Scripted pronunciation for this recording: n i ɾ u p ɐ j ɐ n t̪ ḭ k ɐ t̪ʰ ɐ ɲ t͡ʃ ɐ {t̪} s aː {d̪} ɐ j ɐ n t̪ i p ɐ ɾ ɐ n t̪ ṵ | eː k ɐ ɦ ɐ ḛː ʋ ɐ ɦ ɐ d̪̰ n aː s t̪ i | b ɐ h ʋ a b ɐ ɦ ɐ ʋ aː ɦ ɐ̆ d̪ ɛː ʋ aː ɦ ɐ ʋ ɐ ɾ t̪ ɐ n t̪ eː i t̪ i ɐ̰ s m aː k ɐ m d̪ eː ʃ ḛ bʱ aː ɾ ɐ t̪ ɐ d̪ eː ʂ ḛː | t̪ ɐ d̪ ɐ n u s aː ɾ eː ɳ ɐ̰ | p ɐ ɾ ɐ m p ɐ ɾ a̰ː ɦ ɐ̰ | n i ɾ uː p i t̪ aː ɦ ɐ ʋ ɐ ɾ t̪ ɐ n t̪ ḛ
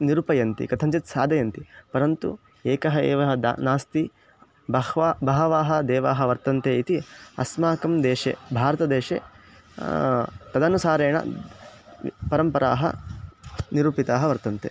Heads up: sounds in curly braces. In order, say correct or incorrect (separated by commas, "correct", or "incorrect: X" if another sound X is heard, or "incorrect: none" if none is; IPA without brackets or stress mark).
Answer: correct, correct